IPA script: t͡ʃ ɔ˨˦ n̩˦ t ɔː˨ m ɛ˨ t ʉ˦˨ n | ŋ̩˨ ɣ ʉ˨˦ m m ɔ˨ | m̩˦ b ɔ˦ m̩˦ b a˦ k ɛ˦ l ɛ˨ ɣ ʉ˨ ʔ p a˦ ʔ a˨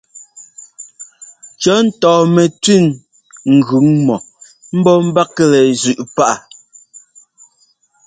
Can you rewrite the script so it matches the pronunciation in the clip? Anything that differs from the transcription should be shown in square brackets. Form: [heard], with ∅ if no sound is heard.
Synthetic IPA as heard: t͡ʃ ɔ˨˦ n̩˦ t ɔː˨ m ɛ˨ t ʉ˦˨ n | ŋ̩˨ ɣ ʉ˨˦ [ŋ] m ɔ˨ | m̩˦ b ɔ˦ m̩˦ b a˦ k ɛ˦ l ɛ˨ [z] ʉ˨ ʔ p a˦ ʔ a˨